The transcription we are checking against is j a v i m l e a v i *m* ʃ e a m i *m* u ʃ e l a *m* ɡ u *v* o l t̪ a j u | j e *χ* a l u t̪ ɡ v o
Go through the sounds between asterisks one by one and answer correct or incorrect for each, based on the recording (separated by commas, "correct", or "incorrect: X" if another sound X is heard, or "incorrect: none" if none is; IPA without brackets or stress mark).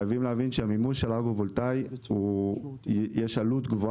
incorrect: n, correct, incorrect: none, correct, incorrect: ʃ